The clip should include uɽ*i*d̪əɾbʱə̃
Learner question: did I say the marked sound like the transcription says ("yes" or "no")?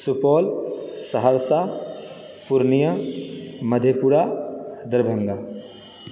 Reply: no